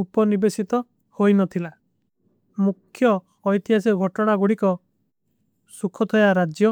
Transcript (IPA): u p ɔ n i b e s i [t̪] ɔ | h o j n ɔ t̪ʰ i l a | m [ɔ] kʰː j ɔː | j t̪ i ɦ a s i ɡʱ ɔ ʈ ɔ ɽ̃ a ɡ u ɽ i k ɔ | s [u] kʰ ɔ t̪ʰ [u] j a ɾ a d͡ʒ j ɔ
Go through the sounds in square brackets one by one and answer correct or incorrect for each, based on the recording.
correct, incorrect: u, correct, incorrect: ɔ

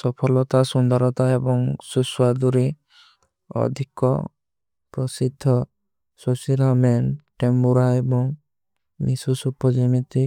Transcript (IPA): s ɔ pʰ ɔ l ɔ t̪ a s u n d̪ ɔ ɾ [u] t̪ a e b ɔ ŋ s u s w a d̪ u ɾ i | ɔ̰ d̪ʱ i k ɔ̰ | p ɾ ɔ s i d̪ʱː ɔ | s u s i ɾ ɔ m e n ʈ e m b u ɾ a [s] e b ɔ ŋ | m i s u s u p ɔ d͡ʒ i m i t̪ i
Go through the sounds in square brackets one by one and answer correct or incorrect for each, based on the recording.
incorrect: ɔ, incorrect: none

